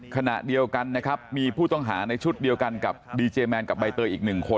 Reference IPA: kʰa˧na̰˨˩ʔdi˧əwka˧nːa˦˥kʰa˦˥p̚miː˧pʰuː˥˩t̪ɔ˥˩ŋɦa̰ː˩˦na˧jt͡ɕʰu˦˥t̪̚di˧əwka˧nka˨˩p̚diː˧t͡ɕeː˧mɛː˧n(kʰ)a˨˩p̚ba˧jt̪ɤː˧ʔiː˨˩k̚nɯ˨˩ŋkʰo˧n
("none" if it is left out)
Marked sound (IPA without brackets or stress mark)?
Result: k